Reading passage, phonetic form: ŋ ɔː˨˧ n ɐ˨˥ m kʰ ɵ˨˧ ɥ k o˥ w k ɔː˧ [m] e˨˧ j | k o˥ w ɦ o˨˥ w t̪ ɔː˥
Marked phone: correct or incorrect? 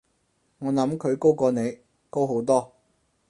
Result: incorrect